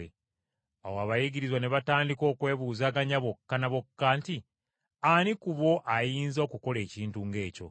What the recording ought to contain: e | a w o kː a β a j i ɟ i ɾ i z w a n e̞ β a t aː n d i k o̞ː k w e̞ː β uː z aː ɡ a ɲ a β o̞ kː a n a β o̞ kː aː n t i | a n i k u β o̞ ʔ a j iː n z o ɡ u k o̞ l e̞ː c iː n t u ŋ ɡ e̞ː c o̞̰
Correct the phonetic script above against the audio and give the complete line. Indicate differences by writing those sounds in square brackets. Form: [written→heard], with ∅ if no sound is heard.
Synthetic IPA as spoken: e | a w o [kː→∅] a β a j i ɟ i ɾ i z w a n e̞ β a t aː n d i k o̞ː k w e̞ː β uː z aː ɡ a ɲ a β o̞ kː a n a β o̞ kː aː n t i | a n i k u β o̞ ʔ a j iː n z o [ɡ→k] u k o̞ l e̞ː c iː n t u ŋ ɡ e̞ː c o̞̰

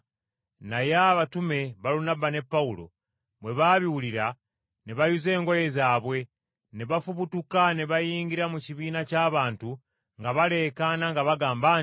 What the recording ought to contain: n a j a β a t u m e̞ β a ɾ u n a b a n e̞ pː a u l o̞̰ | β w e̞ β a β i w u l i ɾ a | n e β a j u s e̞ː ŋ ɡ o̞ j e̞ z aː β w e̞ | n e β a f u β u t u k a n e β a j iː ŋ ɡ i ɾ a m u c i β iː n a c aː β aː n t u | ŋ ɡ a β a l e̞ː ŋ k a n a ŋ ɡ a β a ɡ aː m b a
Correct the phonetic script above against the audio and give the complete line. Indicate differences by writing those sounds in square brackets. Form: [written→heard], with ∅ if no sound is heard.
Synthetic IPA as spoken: n a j a β a t u m e̞ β a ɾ u n a b a n e̞ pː a u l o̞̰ | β w e̞ β a β i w u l i ɾ a | n e β a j u [s→z] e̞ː ŋ ɡ o̞ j e̞ z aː β w e̞ | n e β a f u β u t u k a n e β a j iː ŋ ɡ i ɾ a m u c i β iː n a c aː β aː n t u | ŋ ɡ a β a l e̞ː [ŋ→∅] k a n a ŋ ɡ a β a ɡ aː m b a

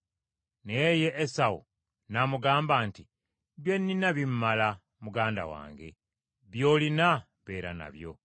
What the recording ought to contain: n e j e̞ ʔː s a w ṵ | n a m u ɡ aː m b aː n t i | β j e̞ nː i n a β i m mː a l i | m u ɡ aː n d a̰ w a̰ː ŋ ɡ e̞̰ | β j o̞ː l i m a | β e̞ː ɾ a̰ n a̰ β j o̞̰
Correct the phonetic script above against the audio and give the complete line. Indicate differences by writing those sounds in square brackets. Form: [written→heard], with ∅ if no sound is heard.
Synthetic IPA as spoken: n e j e̞ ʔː s a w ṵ | n a m u ɡ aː m b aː n t i | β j e̞ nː i n a β i m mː a l [i→a] | m u ɡ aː n d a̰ w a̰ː ŋ ɡ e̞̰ | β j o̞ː l i [m→n] a | β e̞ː ɾ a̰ n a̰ β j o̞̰

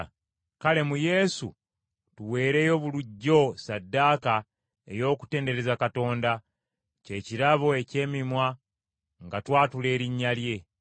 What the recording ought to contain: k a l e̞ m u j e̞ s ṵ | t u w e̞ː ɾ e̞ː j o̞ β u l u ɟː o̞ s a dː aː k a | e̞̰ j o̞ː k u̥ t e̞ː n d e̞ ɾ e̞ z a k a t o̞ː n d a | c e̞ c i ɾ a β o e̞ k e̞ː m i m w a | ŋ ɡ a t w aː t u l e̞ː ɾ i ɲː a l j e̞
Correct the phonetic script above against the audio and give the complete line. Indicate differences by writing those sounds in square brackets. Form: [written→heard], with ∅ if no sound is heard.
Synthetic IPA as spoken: k a l e̞ m u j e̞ s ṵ | t u w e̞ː ɾ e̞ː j o̞ β u l u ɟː o̞ s a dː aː k a | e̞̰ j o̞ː k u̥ t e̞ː n d e̞ ɾ e̞ z a k a t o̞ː n d a | c e̞ c i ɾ a β o e̞ [k→c] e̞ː m i m w a | ŋ ɡ a t w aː t u l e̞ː ɾ i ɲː a l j e̞

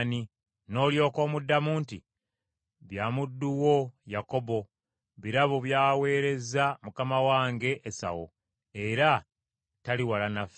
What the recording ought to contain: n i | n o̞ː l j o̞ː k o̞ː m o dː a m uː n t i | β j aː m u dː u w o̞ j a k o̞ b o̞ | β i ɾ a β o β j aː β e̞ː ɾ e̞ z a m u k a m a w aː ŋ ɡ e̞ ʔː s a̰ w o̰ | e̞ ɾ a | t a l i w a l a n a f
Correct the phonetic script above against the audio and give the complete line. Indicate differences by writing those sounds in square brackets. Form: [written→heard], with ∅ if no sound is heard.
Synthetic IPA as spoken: n i | n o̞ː l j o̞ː k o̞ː m [o→u] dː a m uː n t i | β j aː m u dː u w o̞ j a k o̞ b o̞ | β i ɾ a β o β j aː [β→w] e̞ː ɾ e̞ z a m u k a m a w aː ŋ ɡ e̞ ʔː s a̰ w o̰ | e̞ ɾ a | t a l i w a l a n a f

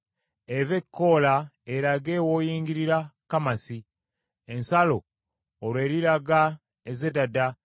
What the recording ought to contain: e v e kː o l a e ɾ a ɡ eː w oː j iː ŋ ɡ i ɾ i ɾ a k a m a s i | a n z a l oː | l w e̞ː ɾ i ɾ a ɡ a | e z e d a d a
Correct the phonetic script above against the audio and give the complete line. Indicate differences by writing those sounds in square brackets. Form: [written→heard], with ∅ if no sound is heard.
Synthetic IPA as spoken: e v e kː o l a e ɾ a ɡ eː w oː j iː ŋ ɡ i ɾ i ɾ a k a m a s i | [a→e] n [z→s] a l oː | l w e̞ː ɾ i ɾ a ɡ a | e z e d a d a

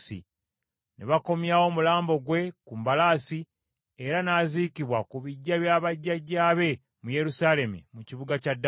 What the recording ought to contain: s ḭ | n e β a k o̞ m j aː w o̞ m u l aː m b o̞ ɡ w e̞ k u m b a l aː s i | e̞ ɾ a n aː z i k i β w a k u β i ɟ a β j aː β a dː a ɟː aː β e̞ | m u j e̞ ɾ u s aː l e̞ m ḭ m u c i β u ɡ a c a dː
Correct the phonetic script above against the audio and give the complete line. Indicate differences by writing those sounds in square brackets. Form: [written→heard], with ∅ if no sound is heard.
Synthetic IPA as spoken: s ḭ | n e β a k o̞ m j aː w o̞ m u l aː m b o̞ ɡ w e̞ k u m b a l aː s i | e̞ ɾ a n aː z i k i β w a k u β i [ɟ→ɟː] a β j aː β a [dː→ɟː] a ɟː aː β e̞ | m u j e̞ ɾ u s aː l e̞ m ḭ m u c i β u ɡ a c a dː

